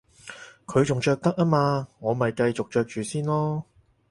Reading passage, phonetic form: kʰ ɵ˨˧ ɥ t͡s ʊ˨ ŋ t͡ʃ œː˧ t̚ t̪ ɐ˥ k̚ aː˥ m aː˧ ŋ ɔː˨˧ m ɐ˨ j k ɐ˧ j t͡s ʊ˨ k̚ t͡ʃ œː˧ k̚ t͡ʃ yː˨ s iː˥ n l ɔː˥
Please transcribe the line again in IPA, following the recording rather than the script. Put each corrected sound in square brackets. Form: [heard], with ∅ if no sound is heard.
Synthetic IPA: kʰ ɵ˨˧ ɥ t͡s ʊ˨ ŋ t͡ʃ œː˧ [k̚] t̪ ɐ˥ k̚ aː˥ m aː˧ ŋ ɔː˨˧ m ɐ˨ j k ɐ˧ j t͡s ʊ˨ k̚ t͡ʃ œː˧ k̚ t͡ʃ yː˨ s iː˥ n l ɔː˥